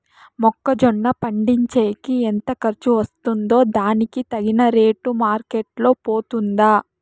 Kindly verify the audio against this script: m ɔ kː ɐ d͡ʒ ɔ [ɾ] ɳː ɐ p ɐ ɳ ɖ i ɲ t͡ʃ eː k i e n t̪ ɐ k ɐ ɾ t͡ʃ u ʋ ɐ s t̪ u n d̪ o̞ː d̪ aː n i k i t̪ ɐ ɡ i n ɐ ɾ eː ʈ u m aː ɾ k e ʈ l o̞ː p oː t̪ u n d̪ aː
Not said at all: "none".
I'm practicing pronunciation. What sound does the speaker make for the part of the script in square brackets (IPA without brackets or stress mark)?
none